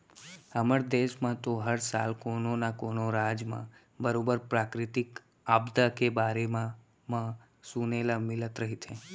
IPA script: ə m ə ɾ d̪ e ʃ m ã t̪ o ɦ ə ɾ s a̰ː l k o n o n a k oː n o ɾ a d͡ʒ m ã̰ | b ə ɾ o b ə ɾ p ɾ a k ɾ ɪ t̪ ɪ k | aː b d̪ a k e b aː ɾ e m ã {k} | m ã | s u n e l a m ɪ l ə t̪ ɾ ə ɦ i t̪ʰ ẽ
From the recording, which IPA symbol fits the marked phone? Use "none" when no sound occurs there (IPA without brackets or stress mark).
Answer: none